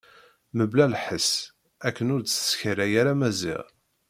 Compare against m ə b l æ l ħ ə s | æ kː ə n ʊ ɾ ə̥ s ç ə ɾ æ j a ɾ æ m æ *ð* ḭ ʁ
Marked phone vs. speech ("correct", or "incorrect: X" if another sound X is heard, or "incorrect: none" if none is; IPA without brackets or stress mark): incorrect: z